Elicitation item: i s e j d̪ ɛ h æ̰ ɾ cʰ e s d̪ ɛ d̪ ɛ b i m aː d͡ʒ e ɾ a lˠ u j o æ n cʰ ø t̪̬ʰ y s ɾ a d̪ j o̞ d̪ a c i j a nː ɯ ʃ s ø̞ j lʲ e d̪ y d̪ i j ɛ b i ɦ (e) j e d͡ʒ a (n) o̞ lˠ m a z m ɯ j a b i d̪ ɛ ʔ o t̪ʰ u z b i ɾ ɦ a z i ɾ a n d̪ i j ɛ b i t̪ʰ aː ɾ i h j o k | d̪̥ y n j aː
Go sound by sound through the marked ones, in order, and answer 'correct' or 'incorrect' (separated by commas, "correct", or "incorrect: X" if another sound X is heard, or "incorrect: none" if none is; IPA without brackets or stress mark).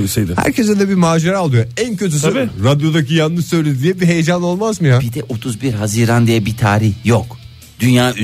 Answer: correct, correct